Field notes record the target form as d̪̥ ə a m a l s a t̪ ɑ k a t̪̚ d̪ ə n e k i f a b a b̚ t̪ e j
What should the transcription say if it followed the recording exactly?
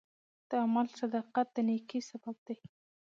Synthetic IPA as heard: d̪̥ ə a m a l s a d̪ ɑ q a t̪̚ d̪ ə n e k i s a b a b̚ d̪ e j

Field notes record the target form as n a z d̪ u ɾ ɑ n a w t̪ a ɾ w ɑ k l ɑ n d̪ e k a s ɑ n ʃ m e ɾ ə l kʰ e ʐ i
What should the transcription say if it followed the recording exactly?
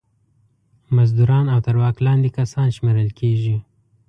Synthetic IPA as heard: m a z d̪ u ɾ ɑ n a w t̪ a ɾ w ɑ k l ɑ n d̪ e k a s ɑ n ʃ m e ɾ ə l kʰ e ʒ i

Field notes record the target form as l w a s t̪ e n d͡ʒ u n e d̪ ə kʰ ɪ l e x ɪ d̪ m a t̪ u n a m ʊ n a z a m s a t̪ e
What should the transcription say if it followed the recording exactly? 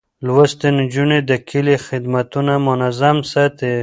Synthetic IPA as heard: l w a s t̪ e n d͡ʒ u n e d̪ ə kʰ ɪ l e x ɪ d̪ m a t̪ u n a m ʊ n a z a m s a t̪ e

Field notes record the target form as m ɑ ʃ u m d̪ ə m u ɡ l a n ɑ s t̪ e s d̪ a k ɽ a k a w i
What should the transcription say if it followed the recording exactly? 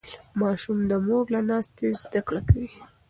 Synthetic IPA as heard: m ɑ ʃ u m d̪ ə m o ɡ l a n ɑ s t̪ e z d̪ a k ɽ a k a w i

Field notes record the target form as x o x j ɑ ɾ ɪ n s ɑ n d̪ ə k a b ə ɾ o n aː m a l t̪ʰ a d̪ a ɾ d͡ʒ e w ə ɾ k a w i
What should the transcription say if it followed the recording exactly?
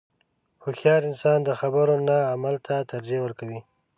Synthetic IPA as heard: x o x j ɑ ɾ ɪ n s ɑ n d̪ ə x a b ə ɾ o n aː m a l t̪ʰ a t̪ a ɾ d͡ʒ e w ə ɾ k a w i

